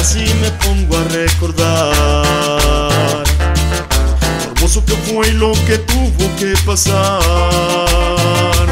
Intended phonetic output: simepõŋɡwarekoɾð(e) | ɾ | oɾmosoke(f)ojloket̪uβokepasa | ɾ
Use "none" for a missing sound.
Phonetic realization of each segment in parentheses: a, f

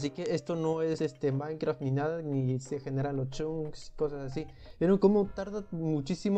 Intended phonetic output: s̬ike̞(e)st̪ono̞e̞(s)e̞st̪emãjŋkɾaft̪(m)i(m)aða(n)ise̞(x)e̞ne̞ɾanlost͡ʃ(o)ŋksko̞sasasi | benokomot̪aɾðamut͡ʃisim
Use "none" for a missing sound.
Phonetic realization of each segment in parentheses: e, s, n, n, n, x, u

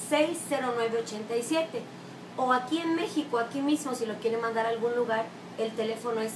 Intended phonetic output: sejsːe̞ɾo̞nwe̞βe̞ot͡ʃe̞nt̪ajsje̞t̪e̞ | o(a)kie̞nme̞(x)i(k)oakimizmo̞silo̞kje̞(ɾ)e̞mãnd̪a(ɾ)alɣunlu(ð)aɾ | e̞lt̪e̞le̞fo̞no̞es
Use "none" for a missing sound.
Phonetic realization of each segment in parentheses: a, x, k, ɾ, ɾ, ɣ

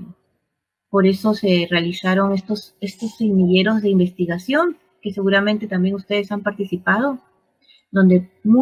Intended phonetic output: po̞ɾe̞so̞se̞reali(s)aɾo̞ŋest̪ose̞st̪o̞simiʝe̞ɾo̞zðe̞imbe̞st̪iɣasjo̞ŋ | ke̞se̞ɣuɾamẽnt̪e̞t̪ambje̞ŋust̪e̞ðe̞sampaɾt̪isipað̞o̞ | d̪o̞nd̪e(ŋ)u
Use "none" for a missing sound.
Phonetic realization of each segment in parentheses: s, m

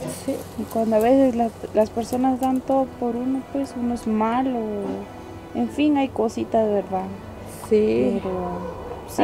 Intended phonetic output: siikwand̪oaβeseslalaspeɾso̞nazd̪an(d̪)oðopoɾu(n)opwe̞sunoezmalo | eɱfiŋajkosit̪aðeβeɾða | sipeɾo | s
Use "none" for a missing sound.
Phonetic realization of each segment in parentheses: t̪, n

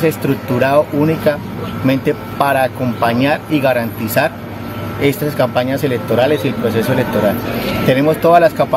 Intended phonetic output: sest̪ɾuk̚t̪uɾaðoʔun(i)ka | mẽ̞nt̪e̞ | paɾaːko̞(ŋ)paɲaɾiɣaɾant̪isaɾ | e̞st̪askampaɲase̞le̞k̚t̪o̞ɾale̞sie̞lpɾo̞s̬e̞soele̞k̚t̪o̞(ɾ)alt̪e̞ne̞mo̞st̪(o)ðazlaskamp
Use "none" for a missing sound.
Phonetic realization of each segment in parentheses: i, m, ɾ, o

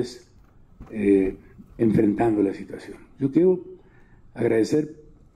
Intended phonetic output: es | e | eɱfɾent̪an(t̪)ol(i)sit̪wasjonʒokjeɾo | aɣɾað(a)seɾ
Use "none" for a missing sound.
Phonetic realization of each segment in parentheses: d̪, a, e

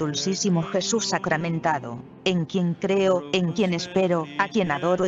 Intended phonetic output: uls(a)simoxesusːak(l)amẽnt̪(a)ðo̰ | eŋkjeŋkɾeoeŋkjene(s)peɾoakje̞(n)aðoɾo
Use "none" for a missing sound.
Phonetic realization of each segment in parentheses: i, ɾ, a, s, n

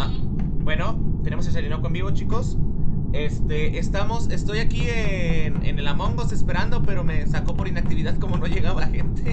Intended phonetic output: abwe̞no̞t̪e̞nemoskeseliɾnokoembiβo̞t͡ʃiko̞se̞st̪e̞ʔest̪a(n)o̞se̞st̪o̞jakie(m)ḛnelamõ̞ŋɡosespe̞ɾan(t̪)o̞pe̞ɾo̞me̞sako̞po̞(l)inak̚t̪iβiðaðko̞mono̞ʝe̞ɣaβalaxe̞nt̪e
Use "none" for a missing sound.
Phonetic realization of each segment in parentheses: m, n, d̪, ɾ

